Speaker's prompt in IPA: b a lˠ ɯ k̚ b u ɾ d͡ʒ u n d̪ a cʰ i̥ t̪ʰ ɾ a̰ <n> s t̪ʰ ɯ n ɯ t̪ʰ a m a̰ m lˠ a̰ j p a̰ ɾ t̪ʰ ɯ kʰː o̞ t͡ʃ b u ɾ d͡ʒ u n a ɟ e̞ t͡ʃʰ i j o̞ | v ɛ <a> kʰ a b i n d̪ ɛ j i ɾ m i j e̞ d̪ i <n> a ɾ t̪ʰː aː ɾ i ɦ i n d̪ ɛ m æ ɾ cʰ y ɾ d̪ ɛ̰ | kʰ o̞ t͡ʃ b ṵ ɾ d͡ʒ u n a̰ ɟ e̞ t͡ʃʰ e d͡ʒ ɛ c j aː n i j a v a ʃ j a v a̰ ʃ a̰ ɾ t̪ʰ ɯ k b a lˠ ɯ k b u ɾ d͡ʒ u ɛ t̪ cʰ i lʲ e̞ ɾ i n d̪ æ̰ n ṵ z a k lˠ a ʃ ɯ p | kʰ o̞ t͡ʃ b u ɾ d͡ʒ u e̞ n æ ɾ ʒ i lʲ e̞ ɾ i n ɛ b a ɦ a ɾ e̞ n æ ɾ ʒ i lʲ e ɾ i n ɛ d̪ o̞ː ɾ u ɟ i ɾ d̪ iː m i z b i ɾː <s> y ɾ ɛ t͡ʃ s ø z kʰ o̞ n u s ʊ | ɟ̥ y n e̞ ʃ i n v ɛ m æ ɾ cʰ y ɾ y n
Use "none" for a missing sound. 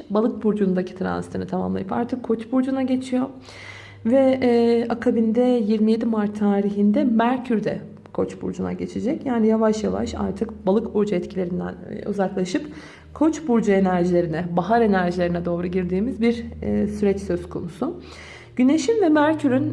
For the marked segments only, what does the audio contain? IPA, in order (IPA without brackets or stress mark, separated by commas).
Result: n, a, m, s